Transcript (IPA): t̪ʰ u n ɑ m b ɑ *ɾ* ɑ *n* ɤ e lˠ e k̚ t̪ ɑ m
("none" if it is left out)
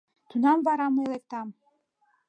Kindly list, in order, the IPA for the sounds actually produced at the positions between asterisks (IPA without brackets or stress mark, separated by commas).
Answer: ɾ, m